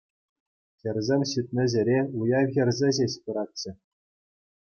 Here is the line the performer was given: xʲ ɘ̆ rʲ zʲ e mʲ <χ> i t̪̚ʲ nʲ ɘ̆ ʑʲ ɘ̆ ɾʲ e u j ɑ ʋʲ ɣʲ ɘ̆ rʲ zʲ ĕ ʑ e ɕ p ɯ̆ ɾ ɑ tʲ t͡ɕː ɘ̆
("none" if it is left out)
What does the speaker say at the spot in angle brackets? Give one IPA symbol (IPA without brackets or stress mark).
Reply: ɕ